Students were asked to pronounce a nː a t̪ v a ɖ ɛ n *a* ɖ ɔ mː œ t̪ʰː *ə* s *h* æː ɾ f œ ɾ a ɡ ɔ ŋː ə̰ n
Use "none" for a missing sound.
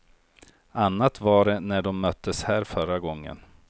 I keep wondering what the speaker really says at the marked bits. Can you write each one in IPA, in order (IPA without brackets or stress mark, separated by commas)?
æ, ə, h